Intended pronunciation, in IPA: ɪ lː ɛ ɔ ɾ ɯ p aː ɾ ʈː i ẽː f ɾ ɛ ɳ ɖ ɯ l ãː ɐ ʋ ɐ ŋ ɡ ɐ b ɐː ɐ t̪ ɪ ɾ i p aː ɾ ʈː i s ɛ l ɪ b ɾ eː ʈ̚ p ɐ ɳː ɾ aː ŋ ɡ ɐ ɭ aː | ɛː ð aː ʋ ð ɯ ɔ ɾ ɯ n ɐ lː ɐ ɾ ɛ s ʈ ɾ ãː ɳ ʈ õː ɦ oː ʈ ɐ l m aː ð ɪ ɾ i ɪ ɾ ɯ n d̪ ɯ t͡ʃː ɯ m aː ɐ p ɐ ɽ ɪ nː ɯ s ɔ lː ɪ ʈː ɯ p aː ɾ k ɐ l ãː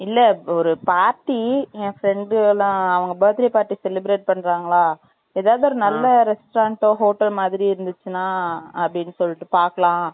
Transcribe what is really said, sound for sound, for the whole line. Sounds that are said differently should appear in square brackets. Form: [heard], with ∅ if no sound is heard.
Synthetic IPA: ɪ lː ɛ ɔ ɾ ɯ p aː ɾ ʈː i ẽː f ɾ ɛ ɳ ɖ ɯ l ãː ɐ ʋ ɐ ŋ ɡ ɐ b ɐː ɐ t̪ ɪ ɾ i p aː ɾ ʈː i s ɛ l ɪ b ɾ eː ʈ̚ p ɐ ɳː ɾ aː ŋ ɡ ɐ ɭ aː | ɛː ð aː ʋ ð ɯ ɔ ɾ ɯ n ɐ lː ɐ ɾ ɛ s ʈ ɾ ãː ɳ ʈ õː ɦ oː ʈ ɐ l m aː ð ɪ ɾ i ɪ ɾ ɯ n d̪ ɯ t͡ʃː ɯ [n] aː ɐ p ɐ ɽ ɪ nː ɯ s ɔ lː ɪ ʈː ɯ p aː ɾ k ɐ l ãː